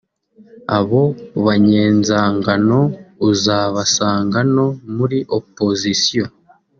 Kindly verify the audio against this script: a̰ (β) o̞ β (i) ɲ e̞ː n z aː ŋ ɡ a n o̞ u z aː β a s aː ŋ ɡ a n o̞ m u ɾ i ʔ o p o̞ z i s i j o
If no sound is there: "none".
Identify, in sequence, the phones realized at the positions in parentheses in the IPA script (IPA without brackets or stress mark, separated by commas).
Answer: β, a